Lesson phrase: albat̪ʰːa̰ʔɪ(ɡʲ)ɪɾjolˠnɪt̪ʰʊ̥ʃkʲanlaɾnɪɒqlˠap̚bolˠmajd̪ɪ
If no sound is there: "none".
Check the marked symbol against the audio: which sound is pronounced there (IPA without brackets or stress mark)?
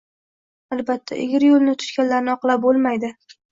ɡʲ